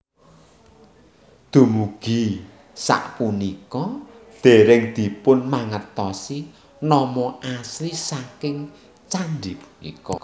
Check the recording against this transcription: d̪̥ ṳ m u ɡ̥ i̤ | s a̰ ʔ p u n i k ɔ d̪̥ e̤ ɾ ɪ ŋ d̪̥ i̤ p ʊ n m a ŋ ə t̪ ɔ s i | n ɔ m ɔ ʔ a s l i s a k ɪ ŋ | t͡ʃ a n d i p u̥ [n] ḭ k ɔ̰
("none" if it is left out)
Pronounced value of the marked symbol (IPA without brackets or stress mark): n